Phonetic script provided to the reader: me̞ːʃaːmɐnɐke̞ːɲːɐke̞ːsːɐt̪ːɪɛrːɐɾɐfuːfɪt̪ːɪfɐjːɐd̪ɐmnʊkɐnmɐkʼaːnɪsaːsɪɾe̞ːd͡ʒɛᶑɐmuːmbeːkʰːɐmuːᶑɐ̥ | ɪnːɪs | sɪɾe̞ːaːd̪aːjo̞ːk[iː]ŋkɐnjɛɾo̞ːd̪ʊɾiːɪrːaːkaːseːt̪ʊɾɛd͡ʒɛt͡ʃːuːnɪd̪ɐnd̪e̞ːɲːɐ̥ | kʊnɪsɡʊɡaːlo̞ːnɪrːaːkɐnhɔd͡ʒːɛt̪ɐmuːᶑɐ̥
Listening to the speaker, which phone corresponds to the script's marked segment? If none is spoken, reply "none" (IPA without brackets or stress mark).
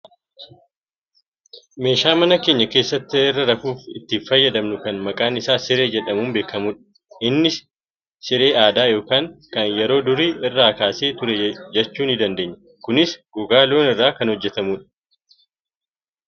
aː